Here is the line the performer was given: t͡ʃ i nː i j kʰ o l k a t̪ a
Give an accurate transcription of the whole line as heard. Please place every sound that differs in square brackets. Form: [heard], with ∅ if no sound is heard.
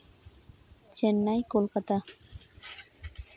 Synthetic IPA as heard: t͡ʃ [e] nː [a] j [k] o l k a t̪ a